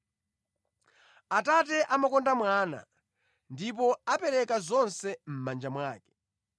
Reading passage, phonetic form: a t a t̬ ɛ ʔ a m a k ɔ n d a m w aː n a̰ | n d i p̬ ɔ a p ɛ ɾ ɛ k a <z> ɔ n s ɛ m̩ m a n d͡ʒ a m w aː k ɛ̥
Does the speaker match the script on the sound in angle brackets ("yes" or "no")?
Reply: yes